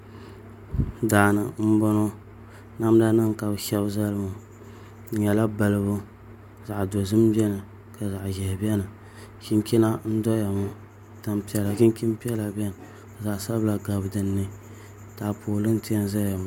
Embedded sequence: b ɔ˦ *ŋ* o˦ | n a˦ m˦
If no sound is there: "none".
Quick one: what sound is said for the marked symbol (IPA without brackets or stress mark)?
n